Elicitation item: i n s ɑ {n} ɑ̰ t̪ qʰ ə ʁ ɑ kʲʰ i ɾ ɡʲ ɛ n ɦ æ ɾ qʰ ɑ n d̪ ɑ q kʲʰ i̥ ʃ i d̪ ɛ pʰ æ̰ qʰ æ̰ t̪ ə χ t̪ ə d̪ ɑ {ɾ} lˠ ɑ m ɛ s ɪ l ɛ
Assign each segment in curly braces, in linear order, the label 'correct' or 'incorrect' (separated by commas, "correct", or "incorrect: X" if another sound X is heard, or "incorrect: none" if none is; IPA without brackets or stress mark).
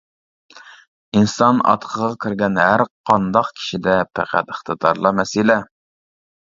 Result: correct, correct